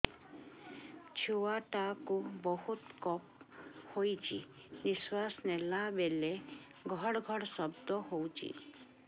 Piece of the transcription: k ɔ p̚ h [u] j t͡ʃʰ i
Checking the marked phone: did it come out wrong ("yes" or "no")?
yes